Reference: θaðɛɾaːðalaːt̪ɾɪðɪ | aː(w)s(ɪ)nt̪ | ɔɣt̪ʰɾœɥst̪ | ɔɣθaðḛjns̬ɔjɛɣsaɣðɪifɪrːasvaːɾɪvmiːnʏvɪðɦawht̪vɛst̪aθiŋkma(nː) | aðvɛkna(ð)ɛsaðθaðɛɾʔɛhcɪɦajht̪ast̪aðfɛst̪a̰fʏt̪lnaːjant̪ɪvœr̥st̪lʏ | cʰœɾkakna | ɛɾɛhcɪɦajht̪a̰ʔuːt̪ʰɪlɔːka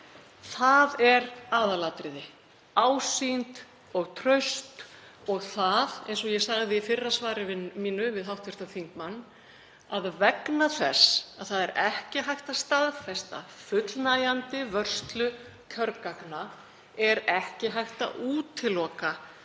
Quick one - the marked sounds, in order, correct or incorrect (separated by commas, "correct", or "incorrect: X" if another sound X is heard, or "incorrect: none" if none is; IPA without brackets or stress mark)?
correct, incorrect: i, correct, incorrect: θ